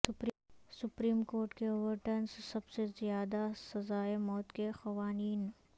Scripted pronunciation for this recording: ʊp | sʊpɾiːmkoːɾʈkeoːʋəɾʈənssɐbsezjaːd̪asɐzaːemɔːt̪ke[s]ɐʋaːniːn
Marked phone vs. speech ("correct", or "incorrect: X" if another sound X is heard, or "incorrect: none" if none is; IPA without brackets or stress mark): incorrect: x